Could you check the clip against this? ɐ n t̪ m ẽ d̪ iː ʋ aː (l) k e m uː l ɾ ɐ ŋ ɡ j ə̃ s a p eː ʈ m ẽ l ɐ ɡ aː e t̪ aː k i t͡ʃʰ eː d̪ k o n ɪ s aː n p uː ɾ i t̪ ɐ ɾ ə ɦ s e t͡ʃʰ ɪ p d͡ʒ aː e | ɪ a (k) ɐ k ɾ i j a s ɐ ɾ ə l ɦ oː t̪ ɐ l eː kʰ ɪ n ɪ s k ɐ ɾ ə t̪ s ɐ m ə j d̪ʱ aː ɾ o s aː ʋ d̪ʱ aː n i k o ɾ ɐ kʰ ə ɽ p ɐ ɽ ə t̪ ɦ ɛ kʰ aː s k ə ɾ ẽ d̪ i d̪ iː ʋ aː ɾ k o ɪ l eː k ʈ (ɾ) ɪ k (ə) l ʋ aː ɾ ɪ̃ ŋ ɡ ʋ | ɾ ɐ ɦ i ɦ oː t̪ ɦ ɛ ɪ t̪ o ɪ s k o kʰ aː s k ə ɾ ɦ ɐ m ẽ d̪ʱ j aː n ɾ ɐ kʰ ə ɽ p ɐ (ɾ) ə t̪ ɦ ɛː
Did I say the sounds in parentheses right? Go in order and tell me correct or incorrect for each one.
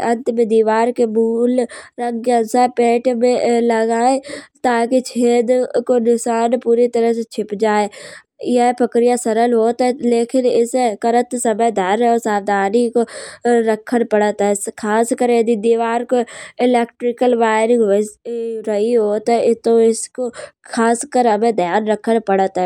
incorrect: ɾ, incorrect: p, correct, correct, incorrect: ɽ

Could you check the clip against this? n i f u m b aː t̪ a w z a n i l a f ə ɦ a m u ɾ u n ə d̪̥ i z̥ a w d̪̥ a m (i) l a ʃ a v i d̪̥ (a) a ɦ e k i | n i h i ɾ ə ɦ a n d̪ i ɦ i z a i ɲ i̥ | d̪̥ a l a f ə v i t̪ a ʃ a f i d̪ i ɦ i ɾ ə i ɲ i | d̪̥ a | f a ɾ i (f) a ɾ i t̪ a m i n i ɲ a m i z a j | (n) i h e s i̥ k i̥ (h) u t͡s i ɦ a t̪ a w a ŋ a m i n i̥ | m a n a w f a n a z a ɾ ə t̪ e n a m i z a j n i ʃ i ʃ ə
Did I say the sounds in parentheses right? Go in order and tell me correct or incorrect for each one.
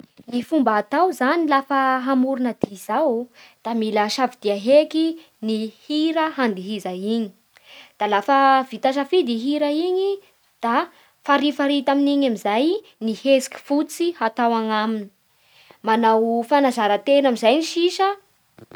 correct, incorrect: i, correct, correct, incorrect: f

